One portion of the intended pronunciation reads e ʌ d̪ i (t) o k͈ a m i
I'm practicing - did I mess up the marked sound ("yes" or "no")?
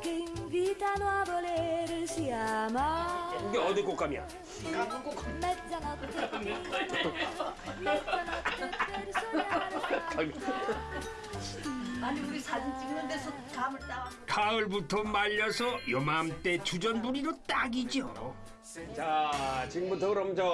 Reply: yes